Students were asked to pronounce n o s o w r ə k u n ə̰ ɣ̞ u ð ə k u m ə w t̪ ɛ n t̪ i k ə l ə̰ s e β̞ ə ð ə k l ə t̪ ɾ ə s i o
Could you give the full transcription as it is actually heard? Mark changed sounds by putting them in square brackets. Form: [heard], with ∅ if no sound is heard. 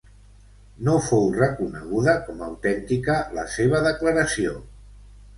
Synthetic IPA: n o [f] o w r ə k u n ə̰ ɣ̞ u ð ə k [ɔ] m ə w t̪ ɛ n t̪ i k ə l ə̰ s e β̞ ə ð ə k l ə [∅] ɾ ə s i o